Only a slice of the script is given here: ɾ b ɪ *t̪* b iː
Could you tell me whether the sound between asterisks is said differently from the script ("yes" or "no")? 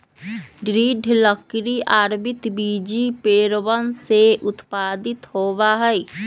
no